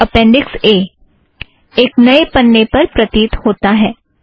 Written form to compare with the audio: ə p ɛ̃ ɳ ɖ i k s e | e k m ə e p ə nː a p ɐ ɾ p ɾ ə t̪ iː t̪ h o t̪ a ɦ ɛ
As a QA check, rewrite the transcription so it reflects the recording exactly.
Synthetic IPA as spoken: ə p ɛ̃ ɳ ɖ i k s e | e k n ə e p ə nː e p ə ɾ p ɾ ə t̪ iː t̪ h o t̪ a ɦ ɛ